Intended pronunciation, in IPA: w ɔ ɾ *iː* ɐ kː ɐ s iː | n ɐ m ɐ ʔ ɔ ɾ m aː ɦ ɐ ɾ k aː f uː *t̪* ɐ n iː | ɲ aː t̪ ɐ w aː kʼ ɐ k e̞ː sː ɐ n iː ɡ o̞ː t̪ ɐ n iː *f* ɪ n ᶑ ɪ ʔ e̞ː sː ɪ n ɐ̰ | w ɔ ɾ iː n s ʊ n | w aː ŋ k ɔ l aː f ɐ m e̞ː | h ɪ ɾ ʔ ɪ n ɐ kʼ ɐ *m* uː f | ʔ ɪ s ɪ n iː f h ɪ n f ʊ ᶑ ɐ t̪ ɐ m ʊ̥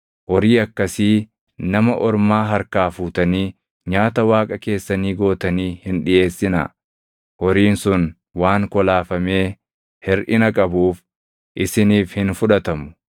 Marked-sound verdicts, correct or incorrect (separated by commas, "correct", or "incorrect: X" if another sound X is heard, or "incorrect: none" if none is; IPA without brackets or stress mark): correct, correct, incorrect: h, incorrect: b